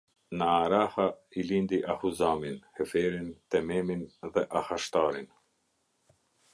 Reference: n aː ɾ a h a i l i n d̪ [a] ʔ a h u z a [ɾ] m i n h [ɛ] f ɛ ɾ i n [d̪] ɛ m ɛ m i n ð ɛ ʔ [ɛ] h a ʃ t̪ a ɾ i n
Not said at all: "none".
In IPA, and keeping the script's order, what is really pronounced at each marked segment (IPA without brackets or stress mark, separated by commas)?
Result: i, none, ɛ, t̪, a